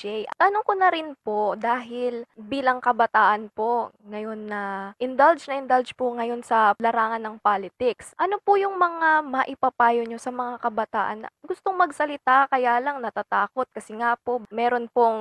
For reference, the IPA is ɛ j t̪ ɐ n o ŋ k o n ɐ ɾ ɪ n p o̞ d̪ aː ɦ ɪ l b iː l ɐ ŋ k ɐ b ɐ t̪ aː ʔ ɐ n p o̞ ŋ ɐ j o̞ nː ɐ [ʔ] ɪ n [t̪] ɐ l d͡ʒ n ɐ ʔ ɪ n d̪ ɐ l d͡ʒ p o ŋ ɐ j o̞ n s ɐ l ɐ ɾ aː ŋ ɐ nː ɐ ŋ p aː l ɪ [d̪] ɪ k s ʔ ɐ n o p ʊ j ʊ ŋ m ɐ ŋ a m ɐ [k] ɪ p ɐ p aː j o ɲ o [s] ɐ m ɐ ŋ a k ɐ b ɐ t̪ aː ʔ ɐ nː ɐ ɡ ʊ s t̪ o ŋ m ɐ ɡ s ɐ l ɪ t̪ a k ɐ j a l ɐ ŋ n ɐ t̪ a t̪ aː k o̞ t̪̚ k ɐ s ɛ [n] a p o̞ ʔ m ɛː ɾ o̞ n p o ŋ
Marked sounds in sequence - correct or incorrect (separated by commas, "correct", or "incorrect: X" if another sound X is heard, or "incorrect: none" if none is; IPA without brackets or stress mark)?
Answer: correct, incorrect: d̪, incorrect: t̪, incorrect: ʔ, correct, incorrect: ŋ